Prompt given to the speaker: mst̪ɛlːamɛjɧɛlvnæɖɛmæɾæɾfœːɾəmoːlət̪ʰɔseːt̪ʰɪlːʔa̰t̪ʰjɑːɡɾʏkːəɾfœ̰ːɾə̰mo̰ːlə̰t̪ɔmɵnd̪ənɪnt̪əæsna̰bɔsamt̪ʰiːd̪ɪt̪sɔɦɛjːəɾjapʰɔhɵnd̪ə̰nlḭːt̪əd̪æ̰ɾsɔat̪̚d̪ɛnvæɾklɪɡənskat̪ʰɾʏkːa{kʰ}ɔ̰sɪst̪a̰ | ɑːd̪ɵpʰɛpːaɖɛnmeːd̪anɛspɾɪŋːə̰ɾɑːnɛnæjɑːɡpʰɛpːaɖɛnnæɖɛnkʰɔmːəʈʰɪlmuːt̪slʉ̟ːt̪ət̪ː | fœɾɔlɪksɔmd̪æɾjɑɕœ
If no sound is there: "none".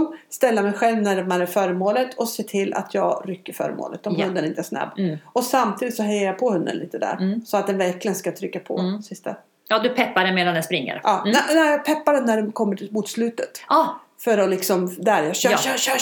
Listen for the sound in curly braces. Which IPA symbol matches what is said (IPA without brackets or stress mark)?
pʰ